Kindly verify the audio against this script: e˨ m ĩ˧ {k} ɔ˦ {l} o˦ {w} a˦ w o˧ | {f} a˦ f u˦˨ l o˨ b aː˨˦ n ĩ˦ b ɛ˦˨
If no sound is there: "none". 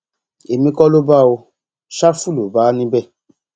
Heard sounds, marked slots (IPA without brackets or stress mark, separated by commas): k, l, b, ʃ